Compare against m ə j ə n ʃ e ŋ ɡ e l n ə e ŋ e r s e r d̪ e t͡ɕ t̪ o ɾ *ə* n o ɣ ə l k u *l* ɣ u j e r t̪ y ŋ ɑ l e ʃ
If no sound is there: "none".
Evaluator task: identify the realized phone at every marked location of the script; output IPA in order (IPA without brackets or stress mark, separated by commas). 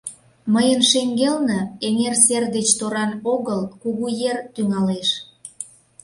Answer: ɑ, none